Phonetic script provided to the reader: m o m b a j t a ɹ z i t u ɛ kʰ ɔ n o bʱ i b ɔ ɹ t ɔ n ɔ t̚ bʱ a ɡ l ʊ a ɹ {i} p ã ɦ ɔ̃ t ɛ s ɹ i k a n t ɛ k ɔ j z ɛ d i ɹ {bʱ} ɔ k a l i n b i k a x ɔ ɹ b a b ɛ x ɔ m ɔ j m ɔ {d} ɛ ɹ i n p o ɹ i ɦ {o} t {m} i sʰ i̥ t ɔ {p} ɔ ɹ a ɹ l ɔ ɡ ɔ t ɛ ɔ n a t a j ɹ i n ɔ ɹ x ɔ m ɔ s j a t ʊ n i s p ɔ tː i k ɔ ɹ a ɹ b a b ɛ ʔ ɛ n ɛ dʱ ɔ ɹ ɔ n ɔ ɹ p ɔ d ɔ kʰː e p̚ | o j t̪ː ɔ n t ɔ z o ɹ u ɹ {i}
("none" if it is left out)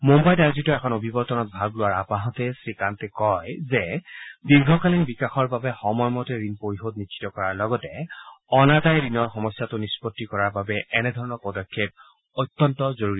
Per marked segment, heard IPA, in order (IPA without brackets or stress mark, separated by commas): a, ɡʱ, t, o, n, k, i